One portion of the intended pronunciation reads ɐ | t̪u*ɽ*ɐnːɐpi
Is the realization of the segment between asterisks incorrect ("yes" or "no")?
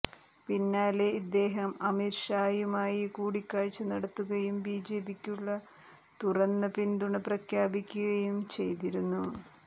yes